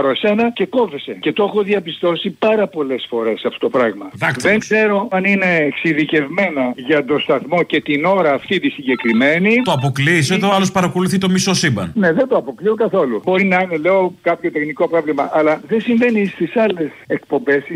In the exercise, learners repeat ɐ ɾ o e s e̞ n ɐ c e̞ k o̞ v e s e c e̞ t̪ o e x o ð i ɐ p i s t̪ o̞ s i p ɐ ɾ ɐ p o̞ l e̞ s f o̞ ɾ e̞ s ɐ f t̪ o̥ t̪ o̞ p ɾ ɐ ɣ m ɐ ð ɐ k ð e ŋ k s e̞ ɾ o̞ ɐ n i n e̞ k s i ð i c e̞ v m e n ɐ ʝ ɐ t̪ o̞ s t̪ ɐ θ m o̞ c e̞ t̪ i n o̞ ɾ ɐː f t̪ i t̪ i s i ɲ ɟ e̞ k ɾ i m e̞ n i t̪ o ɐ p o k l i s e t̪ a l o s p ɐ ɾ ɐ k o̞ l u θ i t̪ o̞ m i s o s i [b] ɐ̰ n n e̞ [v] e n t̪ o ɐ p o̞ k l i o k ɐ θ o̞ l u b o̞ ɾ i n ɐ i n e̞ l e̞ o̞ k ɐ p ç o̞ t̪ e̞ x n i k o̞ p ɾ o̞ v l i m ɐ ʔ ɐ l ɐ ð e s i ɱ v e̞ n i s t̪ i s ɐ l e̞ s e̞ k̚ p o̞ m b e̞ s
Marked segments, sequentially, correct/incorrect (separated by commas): correct, incorrect